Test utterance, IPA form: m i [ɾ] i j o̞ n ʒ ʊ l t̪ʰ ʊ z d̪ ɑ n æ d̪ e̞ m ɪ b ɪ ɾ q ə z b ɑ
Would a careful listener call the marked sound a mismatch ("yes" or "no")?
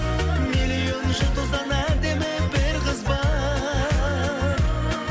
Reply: yes